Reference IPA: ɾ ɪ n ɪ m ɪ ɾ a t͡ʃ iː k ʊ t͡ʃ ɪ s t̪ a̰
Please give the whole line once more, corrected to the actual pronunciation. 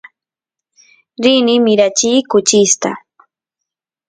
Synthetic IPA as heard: ɾ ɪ n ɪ m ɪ ɾ a t͡ʃ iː k ʊ t͡ʃ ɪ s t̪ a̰